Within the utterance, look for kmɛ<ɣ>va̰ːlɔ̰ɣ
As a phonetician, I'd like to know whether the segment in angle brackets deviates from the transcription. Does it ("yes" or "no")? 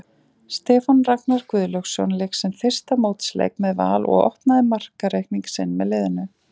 yes